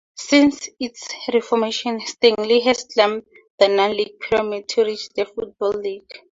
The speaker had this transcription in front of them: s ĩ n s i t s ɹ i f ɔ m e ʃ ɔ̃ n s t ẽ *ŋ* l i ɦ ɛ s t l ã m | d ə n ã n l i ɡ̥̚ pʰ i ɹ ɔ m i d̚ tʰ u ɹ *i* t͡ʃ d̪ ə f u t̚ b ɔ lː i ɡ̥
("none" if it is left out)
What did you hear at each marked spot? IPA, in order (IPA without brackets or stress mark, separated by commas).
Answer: ŋ, i